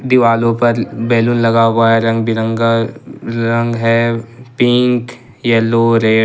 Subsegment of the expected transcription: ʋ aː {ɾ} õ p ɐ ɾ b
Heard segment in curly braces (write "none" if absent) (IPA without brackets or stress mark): l